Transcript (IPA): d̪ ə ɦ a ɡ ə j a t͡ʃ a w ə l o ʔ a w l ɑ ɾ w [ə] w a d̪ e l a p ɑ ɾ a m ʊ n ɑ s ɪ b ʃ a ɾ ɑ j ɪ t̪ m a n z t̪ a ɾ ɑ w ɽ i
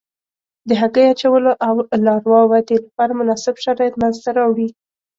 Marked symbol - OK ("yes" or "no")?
no